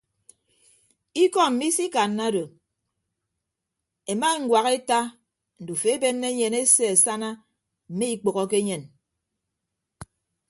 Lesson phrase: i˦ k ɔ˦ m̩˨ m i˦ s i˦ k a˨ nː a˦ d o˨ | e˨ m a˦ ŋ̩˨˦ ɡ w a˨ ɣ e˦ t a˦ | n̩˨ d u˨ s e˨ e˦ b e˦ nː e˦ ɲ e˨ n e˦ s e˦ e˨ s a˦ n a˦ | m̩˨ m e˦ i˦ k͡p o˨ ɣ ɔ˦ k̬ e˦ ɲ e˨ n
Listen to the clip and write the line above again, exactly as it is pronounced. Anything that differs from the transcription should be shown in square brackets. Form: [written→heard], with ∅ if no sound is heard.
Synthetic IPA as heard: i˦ k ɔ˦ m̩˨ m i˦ s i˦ k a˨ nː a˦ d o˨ | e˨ m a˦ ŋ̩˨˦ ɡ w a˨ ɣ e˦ t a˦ | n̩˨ d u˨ [s→f] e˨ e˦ b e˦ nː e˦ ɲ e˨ n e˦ s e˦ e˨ s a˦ n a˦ | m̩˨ m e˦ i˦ k͡p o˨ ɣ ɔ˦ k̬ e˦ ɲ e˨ n